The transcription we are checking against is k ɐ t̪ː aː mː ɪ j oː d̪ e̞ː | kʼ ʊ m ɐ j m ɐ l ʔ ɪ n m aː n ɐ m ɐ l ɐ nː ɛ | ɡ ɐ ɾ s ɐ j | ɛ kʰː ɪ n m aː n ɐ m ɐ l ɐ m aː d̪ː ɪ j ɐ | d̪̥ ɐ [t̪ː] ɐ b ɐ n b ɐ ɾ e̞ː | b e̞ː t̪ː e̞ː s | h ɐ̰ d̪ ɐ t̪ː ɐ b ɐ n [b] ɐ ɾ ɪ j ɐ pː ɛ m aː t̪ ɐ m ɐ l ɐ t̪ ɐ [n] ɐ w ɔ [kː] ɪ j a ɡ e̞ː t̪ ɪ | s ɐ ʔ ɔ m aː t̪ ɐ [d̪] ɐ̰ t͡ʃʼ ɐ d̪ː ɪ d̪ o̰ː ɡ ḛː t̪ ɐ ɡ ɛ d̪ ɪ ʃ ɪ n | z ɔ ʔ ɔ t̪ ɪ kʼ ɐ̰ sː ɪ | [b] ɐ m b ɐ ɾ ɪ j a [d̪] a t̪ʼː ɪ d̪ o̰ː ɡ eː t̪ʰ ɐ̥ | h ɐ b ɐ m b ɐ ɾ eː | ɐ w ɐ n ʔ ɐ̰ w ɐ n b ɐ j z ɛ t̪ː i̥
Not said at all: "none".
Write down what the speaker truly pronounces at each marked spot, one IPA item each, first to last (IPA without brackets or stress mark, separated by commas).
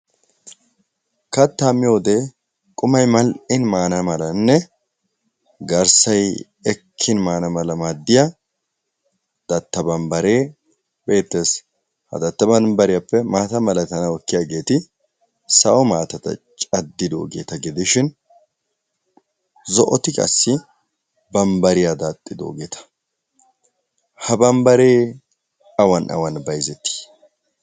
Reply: t̪ː, b, n, kː, t̪, b, d̪